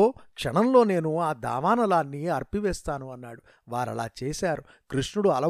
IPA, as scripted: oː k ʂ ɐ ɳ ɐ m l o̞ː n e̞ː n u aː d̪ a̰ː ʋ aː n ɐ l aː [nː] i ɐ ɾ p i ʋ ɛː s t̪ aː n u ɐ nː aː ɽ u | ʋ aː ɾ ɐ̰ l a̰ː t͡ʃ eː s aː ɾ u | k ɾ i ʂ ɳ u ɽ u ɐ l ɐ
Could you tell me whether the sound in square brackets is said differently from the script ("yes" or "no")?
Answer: no